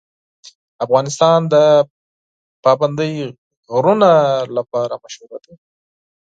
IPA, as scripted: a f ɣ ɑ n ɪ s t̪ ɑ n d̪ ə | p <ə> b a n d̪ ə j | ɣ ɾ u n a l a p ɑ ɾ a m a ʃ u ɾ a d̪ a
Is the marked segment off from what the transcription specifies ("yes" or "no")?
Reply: yes